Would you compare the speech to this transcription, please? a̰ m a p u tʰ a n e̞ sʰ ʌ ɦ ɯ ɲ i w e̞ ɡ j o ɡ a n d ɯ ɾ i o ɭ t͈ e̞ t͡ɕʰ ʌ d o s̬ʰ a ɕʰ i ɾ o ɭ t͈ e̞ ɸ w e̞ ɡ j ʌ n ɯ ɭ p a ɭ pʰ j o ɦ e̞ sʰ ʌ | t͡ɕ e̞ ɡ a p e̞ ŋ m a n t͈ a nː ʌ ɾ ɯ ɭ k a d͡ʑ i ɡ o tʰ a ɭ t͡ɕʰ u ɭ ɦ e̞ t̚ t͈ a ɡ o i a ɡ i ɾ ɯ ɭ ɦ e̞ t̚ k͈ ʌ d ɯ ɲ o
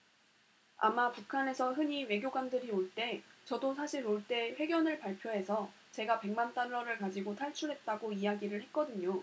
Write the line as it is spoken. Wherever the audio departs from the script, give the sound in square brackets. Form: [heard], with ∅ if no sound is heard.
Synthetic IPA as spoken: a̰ m a p u [kʰ] a n e̞ sʰ ʌ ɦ ɯ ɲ i w e̞ ɡ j o ɡ a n d ɯ ɾ i o ɭ t͈ e̞ [t͡ɕ] ʌ d o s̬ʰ a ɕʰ i ɾ o ɭ t͈ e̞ ɸ w e̞ ɡ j ʌ n ɯ ɭ p a ɭ pʰ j o ɦ e̞ sʰ ʌ | t͡ɕ e̞ ɡ a p e̞ ŋ m a n t͈ a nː ʌ ɾ ɯ ɭ k a d͡ʑ i ɡ o tʰ a ɭ t͡ɕʰ u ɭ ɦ e̞ t̚ t͈ a ɡ o i a ɡ i ɾ ɯ ɭ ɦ e̞ t̚ k͈ ʌ d ɯ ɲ o